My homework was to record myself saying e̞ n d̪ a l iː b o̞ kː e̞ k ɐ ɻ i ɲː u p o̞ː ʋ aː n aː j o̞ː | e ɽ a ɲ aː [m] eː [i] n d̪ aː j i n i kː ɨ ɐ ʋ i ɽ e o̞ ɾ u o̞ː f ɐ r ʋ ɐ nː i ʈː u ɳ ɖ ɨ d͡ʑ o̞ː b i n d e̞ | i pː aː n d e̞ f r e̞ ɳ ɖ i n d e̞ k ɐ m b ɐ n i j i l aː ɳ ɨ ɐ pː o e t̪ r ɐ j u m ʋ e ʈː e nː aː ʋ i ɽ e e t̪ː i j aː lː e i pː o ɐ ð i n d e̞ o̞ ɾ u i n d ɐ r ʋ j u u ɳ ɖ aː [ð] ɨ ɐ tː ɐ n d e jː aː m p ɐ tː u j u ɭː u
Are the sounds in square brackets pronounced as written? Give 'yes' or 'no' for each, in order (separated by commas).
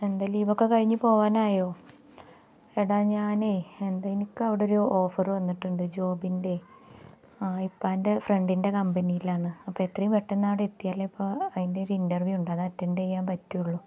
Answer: no, no, yes